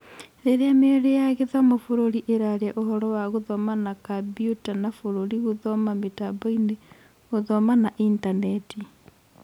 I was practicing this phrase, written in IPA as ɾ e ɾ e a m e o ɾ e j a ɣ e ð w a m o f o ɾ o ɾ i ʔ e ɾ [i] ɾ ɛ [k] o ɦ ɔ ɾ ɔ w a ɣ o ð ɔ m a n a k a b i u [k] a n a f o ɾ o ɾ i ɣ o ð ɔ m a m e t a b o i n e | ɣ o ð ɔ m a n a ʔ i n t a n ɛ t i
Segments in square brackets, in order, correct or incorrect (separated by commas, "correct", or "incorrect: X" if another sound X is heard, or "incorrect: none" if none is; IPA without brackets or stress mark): incorrect: a, incorrect: ʔ, incorrect: t